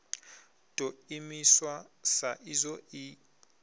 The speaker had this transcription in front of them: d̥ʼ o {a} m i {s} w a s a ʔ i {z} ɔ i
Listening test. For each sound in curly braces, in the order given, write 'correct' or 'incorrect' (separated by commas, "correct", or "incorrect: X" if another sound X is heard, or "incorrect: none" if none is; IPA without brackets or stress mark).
incorrect: i, correct, correct